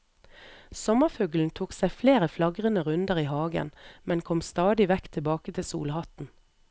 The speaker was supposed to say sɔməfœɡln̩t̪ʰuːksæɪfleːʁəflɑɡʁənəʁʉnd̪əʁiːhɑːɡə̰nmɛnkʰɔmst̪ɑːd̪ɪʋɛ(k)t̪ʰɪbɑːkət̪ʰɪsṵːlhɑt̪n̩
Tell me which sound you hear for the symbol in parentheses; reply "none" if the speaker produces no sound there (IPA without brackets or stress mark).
k